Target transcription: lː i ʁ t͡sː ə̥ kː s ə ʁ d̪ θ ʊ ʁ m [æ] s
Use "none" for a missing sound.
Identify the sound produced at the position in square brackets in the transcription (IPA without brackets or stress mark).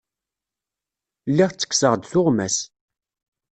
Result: æ